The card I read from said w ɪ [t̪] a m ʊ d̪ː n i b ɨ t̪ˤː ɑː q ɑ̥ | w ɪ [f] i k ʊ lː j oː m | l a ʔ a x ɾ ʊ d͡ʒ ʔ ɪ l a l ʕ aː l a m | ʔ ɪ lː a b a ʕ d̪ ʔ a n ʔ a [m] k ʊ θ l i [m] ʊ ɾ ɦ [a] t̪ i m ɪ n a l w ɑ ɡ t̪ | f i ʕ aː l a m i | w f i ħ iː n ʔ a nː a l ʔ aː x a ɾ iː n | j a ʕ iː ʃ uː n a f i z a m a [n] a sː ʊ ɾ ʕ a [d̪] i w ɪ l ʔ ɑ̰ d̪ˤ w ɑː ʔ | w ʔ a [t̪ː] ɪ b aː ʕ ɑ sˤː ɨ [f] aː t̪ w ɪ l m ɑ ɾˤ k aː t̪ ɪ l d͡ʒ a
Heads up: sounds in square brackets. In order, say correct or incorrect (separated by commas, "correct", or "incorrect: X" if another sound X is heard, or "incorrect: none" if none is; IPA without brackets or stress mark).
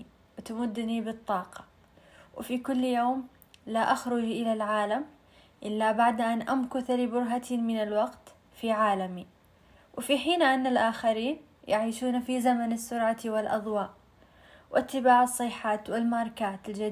correct, correct, correct, incorrect: b, correct, correct, incorrect: t̪, correct, incorrect: ħ